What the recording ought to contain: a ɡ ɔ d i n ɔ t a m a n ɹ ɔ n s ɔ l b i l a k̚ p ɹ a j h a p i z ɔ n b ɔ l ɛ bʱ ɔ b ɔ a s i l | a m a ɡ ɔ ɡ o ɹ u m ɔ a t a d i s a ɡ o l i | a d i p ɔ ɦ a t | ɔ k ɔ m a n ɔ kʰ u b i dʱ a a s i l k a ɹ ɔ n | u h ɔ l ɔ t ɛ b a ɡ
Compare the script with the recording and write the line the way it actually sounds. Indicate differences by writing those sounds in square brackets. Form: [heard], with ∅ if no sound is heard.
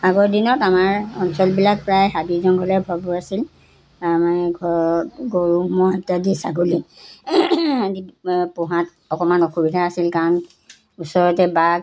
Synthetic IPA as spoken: a ɡ ɔ d i n ɔ t a m a [∅] ɹ ɔ n s ɔ l b i l a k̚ p ɹ a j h a [b] i z ɔ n [ɡ] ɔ l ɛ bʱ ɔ b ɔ a s i l | a m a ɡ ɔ ɡ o ɹ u m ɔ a t a d i s a ɡ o l i | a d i p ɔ ɦ a t | ɔ k ɔ m a n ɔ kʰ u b i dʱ a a s i l k a ɹ ɔ n | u [s] ɔ [ɹ] ɔ t ɛ b a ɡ